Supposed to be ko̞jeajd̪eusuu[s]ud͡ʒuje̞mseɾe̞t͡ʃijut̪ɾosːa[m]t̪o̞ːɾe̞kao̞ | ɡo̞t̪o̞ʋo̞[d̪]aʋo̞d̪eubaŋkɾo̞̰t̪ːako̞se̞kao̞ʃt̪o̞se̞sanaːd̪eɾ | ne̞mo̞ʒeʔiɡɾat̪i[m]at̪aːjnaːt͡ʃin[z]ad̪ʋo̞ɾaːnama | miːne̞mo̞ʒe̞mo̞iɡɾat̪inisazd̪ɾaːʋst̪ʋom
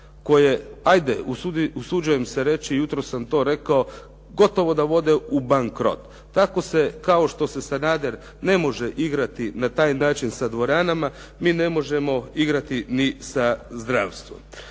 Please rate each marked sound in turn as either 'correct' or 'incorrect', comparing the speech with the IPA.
correct, correct, correct, incorrect: n, incorrect: s

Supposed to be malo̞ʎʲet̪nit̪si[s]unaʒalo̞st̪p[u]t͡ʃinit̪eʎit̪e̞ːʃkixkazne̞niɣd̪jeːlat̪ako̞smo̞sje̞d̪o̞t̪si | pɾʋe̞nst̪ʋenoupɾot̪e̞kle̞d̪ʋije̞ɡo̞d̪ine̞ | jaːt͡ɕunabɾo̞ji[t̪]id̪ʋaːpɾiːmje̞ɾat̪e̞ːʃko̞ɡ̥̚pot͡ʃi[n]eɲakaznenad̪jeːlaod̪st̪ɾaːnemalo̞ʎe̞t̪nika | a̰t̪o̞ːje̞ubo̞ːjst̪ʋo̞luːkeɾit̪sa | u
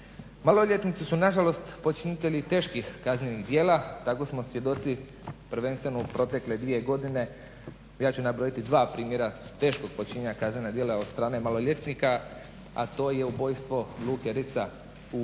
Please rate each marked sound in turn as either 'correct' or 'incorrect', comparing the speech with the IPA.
correct, incorrect: o, correct, incorrect: ɲ

